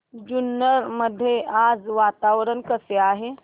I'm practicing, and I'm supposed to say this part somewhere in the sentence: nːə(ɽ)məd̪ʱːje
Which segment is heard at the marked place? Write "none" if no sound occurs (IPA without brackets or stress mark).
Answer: ɾ